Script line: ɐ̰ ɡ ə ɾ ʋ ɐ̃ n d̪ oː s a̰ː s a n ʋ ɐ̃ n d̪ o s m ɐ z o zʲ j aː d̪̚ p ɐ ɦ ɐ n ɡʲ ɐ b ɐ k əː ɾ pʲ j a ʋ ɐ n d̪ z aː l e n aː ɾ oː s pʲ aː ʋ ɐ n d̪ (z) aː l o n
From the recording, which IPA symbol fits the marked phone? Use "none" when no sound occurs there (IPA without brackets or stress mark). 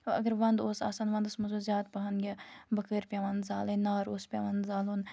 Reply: z